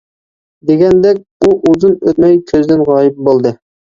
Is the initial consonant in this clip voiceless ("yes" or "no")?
no